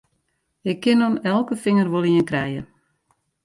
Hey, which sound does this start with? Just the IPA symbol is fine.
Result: ɪ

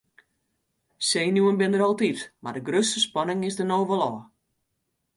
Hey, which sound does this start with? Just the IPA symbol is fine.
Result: s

